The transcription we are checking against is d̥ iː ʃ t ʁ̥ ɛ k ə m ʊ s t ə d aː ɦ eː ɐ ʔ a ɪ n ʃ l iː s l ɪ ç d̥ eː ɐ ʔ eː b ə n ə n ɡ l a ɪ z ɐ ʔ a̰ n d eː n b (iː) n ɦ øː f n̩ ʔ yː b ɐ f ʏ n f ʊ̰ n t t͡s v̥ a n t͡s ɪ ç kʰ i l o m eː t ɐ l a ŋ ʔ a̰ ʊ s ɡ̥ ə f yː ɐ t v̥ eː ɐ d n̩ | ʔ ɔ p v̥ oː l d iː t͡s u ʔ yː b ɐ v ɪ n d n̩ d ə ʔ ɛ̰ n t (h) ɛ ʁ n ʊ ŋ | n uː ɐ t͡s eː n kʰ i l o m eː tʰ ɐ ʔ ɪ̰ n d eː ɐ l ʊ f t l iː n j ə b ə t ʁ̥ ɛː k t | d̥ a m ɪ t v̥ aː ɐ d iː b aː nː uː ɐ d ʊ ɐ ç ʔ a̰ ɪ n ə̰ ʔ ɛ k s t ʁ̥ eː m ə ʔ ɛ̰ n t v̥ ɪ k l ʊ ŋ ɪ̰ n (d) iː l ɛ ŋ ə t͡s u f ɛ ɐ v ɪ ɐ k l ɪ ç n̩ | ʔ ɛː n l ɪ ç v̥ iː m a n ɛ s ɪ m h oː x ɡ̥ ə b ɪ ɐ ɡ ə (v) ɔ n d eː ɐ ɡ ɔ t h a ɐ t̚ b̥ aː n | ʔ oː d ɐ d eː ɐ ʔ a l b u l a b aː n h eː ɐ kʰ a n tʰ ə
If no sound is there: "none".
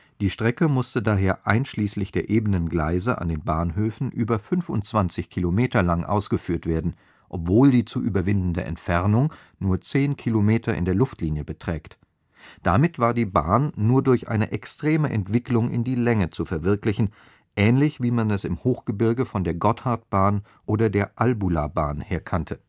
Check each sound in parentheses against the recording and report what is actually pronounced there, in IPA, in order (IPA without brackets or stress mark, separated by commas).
aː, f, d, f